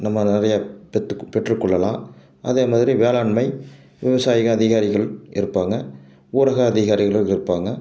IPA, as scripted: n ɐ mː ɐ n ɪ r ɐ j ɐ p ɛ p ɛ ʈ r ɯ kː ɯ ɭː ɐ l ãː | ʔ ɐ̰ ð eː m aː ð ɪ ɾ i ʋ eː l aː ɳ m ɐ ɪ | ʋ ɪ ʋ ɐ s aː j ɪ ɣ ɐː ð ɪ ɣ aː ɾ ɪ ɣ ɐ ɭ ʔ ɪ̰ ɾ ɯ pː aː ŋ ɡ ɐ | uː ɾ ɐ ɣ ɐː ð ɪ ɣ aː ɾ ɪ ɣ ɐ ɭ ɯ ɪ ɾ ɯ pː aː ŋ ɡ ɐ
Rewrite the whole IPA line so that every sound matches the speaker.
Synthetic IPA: n ɐ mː ɐ n ɪ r ɐ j ɐ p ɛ p ɛ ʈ r ɯ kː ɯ ɭː ɐ l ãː | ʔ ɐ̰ ð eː m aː ð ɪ ɾ i ʋ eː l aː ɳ m ɐ ɪ | ʋ ɪ ʋ ɐ s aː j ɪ ɣ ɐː ð ɪ ɣ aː ɾ ɪ ɣ ɐ ɭ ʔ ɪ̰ ɾ ɯ pː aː ŋ ɡ ɐ | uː ɾ ɐ ɣ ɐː ð ɪ ɣ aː ɾ ɪ ɣ ɐ ɭ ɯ ɪ ɾ ɯ pː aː ŋ ɡ ɐ